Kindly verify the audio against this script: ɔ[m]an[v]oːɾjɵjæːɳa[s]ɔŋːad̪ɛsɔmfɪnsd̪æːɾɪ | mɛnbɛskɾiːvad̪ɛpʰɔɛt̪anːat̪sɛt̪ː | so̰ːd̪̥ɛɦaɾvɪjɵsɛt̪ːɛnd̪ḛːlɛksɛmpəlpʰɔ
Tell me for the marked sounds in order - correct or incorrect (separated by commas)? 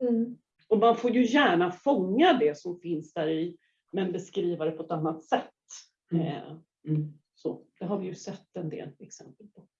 correct, incorrect, incorrect